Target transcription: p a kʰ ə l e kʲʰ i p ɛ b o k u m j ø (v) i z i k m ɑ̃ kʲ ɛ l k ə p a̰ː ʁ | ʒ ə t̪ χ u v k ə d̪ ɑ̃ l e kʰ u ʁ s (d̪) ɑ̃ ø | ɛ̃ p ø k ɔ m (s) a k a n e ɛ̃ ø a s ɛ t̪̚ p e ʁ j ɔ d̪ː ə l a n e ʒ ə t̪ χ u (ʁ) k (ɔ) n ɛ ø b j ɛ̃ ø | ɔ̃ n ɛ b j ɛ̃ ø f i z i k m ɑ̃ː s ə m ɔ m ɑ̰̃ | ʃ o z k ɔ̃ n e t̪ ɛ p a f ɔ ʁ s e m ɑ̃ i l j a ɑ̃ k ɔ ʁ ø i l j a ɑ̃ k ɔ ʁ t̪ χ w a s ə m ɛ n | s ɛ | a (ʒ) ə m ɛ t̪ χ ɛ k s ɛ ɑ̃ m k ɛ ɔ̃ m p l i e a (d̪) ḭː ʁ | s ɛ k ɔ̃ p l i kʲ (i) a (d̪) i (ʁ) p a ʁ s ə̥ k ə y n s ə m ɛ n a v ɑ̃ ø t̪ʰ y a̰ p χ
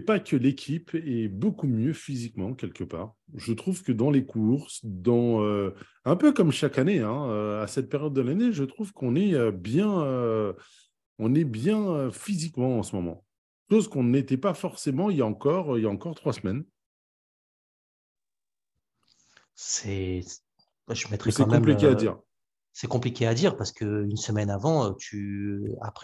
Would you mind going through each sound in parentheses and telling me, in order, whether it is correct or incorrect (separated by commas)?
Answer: incorrect, correct, incorrect, incorrect, incorrect, correct, correct, incorrect, correct, correct